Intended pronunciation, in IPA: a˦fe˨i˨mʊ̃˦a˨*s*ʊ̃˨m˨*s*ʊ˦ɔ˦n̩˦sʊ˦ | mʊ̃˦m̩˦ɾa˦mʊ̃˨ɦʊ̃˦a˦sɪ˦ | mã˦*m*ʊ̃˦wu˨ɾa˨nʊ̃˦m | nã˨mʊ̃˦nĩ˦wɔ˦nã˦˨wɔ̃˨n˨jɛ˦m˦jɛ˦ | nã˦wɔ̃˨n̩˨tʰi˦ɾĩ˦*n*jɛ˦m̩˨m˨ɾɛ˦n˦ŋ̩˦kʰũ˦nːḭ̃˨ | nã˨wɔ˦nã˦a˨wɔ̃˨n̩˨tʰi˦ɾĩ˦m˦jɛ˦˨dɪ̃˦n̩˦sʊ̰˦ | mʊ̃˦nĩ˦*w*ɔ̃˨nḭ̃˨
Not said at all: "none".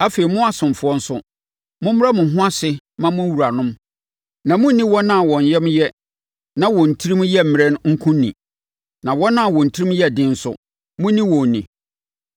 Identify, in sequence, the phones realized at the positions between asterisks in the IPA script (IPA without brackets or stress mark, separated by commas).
s, f, m, m, w